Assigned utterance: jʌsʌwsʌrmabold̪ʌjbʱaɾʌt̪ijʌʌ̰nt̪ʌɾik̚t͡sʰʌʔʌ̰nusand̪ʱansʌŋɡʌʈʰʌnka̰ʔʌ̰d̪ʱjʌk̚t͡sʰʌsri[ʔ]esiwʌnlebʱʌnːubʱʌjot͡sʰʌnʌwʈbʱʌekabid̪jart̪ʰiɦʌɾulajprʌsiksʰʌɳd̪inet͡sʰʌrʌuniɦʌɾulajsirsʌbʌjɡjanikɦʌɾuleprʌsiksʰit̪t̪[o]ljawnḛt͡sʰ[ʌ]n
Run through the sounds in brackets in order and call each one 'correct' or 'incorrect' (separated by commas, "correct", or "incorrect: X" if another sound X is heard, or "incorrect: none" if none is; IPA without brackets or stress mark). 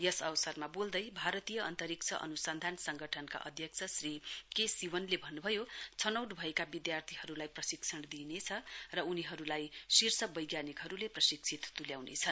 incorrect: k, incorrect: u, correct